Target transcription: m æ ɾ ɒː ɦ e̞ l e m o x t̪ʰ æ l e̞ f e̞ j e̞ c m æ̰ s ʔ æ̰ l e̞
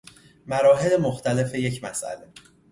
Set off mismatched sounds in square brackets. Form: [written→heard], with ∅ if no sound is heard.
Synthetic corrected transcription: m æ ɾ ɒː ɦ e̞ l e m o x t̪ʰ æ l e̞ f e̞ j e̞ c m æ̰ s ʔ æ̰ l e̞